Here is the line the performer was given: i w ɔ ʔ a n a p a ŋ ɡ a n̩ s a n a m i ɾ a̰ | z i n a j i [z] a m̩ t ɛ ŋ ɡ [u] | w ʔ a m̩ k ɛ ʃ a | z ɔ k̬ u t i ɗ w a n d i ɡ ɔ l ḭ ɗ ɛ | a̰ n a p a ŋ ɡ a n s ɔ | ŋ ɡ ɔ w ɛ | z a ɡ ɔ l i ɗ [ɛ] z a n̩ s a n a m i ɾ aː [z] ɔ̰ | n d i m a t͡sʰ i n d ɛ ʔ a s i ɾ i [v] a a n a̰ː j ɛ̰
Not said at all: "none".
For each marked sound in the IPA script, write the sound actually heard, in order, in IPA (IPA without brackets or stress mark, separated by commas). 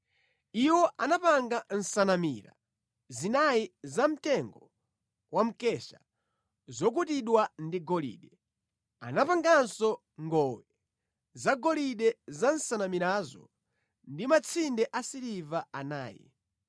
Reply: z, ɔ, ɛ, z, v